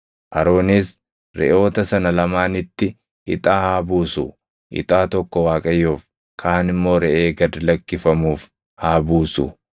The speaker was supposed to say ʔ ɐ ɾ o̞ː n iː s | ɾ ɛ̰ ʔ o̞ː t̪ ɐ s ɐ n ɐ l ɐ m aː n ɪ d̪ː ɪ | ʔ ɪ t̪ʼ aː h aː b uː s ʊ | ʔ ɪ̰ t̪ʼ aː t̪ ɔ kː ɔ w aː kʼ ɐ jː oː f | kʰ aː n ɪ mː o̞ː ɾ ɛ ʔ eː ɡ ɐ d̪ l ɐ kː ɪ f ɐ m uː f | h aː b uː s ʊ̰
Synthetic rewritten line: ʔ ɐ ɾ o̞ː n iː s | ɾ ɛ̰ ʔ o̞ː t̪ ɐ s ɐ n ɐ l ɐ m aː n ɪ t̪ː ɪ | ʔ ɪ t̪ʼ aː h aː b uː s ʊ | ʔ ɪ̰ t̪ʼ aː t̪ ɔ kː ɔ w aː kʼ ɐ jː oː f | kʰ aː n ɪ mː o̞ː ɾ ɛ ʔ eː ɡ ɐ d̪ l ɐ kː ɪ f ɐ m uː f | h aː b uː s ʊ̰

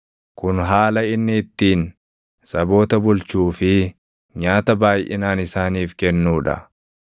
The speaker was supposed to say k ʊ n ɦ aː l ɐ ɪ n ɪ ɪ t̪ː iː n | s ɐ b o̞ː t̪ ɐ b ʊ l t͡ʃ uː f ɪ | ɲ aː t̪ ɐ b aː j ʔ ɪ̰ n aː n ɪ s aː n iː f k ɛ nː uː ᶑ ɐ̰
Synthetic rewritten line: k ʊ n ɦ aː l ɐ ɪ nː ɪ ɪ t̪ː iː n | s ɐ b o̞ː t̪ ɐ b ʊ l t͡ʃ uː f ɪ | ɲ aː t̪ ɐ b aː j ʔ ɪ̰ n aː n ɪ s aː n iː f k ɛ nː uː ᶑ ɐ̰

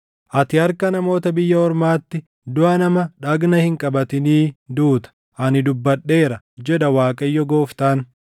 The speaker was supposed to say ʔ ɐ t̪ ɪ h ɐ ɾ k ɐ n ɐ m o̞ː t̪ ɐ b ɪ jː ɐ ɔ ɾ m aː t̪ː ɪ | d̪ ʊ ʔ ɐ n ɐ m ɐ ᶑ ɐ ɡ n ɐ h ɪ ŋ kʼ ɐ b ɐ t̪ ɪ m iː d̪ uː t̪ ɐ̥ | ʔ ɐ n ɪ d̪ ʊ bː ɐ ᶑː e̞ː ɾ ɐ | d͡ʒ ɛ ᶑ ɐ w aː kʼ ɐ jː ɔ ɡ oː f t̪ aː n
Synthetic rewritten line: ʔ ɐ t̪ ɪ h ɐ ɾ k ɐ n ɐ m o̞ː t̪ ɐ b ɪ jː ɐ ɔ ɾ m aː t̪ː ɪ | d̪ ʊ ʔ ɐ n ɐ m ɐ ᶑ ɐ ɡ n ɐ h ɪ ŋ kʼ ɐ b ɐ t̪ ɪ n iː d̪ uː t̪ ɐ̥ | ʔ ɐ n ɪ d̪ ʊ bː ɐ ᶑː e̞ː ɾ ɐ | d͡ʒ ɛ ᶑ ɐ w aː kʼ ɐ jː ɔ ɡ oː f t̪ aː n

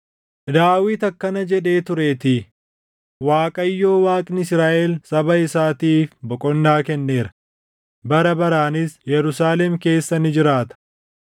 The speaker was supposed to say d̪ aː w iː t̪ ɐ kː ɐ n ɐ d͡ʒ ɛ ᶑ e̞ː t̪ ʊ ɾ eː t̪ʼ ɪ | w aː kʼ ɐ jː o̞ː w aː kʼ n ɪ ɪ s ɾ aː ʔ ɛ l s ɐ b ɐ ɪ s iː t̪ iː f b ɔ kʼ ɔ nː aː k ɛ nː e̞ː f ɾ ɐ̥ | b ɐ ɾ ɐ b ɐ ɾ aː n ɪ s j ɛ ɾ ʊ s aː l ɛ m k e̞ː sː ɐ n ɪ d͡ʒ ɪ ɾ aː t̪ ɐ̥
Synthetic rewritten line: d̪ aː w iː t̪ ɐ kː ɐ n ɐ d͡ʒ ɛ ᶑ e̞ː t̪ ʊ ɾ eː t̪ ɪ | w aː kʼ ɐ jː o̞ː w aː kʼ n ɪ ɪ s ɾ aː ʔ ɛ l s ɐ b ɐ ɪ s aː t̪ iː f b ɔ kʼ ɔ nː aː k ɛ nː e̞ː ɾ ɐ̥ | b ɐ ɾ ɐ b ɐ ɾ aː n ɪ s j ɛ ɾ ʊ s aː l ɛ m k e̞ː sː ɐ n ɪ d͡ʒ ɪ ɾ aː t̪ ɐ̥

